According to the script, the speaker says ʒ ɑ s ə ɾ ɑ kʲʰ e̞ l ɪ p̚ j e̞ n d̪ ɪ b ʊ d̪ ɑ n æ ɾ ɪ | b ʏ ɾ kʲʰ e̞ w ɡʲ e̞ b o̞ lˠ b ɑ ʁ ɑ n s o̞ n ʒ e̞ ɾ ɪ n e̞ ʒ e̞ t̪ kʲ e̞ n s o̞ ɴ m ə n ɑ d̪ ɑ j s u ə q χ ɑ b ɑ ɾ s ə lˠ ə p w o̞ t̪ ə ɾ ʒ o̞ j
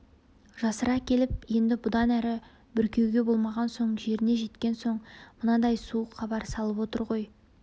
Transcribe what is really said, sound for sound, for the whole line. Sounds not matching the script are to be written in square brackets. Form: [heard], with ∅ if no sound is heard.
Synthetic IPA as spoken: ʒ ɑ s ə ɾ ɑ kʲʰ e̞ l ɪ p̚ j e̞ n d̪ ɪ b ʊ d̪ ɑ n æ ɾ ɪ | b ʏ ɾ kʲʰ e̞ w ɡʲ e̞ b o̞ lˠ [m] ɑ ʁ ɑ n s o̞ [ɴ] ʒ e̞ ɾ ɪ n e̞ ʒ e̞ t̪ kʲ e̞ n s o̞ ɴ m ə n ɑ d̪ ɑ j s u ə q χ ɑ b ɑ ɾ s [ɑ] lˠ ə p w o̞ t̪ ə ɾ [ʁ] o̞ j